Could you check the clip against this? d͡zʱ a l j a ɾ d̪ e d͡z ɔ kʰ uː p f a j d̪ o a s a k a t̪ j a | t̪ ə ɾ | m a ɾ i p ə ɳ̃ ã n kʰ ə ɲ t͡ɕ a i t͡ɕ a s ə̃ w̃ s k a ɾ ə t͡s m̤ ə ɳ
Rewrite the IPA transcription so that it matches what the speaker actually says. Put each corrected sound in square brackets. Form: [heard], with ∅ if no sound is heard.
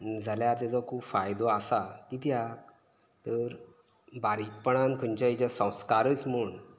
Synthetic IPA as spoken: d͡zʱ a l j a ɾ [t̪] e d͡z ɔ kʰ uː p f a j d̪ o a s a k [i] t̪ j a | t̪ ə ɾ | [b] a ɾ i p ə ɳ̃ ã n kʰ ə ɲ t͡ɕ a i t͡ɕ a s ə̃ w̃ s k a ɾ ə t͡s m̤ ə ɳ